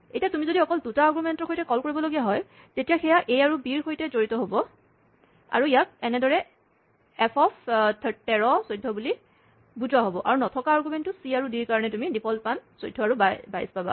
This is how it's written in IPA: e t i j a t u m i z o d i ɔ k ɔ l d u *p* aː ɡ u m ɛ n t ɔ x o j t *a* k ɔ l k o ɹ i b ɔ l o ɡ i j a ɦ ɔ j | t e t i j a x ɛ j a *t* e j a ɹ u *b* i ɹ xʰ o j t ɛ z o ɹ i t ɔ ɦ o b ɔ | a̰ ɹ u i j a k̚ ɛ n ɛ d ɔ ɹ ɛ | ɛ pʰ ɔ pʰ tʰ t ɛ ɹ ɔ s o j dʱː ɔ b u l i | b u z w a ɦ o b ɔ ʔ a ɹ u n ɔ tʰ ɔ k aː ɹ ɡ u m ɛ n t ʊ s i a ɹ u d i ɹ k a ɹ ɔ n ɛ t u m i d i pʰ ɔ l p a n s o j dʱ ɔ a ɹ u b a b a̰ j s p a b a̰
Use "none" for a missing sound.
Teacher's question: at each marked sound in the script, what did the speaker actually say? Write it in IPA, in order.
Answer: t, ɛ, ʔ, b

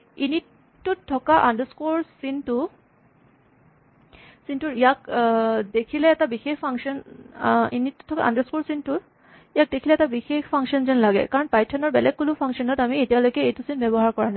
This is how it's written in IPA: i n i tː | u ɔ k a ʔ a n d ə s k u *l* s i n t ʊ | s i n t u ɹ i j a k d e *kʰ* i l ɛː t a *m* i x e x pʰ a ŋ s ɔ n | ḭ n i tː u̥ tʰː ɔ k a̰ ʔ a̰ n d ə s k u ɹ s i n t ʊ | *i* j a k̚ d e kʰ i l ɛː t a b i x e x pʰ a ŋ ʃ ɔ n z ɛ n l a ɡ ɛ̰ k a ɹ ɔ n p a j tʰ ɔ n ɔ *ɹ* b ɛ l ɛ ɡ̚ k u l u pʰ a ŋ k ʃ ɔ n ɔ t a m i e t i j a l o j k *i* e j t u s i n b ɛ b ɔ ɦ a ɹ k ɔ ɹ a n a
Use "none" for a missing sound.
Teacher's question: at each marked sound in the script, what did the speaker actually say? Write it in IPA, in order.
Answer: ɹ, kʰ, b, i, ɹ, ɛ

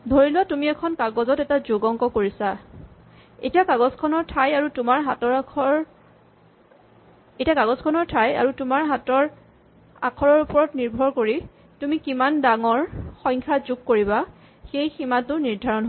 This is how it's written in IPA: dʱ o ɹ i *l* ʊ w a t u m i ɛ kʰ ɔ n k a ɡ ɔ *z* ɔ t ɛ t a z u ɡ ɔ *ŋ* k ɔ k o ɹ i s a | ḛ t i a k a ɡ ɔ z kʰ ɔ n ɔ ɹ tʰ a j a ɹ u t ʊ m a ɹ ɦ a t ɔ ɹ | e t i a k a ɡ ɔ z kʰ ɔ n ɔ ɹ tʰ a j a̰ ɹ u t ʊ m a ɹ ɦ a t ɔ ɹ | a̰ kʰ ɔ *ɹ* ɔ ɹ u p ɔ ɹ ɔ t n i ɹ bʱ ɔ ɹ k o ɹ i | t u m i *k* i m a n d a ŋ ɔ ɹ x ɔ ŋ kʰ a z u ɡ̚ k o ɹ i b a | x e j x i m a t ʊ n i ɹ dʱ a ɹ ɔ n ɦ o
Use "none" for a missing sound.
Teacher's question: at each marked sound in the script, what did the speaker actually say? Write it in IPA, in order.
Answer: l, z, ŋ, ɹ, k

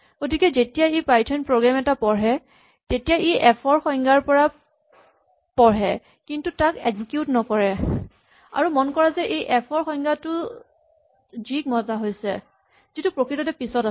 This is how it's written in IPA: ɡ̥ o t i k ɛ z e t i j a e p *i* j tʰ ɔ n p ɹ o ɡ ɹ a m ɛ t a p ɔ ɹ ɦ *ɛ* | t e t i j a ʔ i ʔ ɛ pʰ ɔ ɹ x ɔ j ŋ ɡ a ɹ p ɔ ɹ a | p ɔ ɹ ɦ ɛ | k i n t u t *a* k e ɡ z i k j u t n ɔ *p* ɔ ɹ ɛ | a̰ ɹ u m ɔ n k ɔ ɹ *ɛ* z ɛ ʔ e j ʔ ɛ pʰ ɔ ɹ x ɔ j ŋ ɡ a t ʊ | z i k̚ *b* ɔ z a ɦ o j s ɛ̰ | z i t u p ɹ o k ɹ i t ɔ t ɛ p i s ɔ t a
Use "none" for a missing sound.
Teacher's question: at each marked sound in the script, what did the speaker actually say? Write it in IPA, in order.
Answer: a, ɛ, a, k, a, m

